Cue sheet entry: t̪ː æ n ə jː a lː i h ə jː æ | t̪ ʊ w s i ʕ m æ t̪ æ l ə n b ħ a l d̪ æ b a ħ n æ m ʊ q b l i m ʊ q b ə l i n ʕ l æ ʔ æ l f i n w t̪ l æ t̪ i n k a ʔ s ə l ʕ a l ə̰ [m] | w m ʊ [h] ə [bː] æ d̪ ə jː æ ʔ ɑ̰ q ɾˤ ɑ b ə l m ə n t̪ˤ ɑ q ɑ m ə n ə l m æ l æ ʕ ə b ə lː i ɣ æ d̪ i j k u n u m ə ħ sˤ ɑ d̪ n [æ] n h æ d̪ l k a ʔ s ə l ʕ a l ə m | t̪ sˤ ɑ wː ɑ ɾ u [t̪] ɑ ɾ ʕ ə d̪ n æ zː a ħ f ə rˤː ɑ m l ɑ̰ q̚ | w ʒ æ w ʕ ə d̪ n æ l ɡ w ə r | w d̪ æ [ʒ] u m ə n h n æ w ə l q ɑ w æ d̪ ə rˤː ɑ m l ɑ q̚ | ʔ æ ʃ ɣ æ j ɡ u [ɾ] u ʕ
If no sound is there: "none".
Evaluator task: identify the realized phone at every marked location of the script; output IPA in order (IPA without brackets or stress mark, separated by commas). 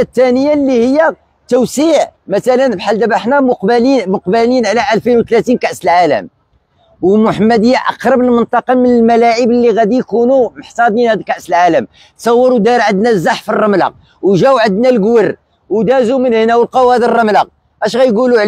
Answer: m, ħ, mː, i, d̪, z, l